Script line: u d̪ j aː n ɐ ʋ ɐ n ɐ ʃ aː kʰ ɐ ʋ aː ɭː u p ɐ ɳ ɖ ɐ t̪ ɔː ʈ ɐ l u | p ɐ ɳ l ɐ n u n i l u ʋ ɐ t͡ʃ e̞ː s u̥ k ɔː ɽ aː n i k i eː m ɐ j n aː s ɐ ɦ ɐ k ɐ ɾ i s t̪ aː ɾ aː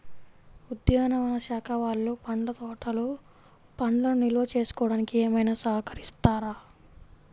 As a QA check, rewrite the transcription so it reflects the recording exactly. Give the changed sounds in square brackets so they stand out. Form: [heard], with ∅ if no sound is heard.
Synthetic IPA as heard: u d̪ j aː n ɐ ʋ ɐ n ɐ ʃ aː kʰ ɐ ʋ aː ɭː u p ɐ ɳ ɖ ɐ t̪ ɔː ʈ ɐ l u | p ɐ ɳ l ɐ n u n i l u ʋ ɐ t͡ʃ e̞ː s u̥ k ɔː ɽ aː n i k i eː m ɐ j n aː s ɐ ɦ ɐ k ɐ ɾ i s t̪ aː ɾ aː